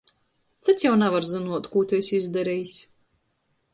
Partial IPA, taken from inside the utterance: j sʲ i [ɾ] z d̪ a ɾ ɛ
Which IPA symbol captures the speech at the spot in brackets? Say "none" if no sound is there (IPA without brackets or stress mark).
none